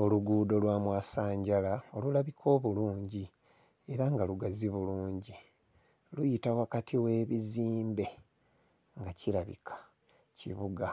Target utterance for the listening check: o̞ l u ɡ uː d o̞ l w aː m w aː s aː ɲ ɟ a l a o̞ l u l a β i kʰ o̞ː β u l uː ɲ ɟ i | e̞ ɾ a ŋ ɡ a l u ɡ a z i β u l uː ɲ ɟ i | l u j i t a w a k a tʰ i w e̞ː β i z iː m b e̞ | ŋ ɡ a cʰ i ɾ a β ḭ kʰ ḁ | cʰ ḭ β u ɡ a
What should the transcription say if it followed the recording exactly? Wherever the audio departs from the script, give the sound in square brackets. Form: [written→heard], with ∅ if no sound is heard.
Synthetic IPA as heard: o̞ l u ɡ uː d o̞ l w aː m w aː s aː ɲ ɟ a l a o̞ l u l a β i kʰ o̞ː β u l uː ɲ ɟ i | e̞ ɾ a ŋ ɡ a l u ɡ a z i β u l uː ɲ ɟ i | l u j i t a w a k a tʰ i w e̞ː β i z iː m b e̞ | ŋ ɡ a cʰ i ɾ a β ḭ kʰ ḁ | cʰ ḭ β u ɡ a